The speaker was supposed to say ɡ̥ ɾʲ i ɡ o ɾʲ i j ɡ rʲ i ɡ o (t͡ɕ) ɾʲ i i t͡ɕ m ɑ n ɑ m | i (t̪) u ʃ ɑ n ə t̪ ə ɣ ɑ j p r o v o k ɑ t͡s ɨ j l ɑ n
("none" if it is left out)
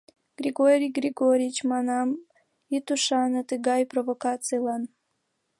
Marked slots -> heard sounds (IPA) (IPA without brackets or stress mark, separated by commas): none, t̪